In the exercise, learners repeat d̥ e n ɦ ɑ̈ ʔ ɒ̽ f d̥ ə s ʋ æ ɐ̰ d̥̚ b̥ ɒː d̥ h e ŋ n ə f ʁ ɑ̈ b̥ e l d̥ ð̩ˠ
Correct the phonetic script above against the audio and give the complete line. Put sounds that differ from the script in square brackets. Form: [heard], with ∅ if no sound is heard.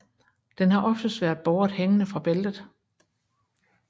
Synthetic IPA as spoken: d̥ e n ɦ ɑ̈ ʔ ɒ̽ f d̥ ə s ʋ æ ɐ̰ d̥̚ b̥ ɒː d̥ h e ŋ n ə f ʁ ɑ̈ b̥ e l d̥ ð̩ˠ